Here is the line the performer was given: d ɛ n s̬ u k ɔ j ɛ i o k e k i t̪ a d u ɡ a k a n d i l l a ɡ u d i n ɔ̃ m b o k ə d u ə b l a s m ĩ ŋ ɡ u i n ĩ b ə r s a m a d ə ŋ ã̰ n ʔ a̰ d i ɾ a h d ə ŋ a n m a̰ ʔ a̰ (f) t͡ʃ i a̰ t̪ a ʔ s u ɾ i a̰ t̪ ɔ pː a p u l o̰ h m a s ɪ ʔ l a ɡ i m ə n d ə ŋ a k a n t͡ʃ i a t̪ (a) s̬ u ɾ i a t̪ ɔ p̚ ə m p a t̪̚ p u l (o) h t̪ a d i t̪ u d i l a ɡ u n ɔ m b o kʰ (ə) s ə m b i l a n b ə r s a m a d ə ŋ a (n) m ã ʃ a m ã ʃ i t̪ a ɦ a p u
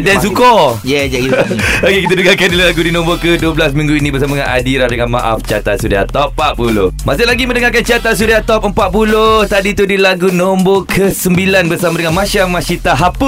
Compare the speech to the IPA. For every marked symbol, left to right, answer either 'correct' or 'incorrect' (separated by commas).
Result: correct, correct, correct, correct, correct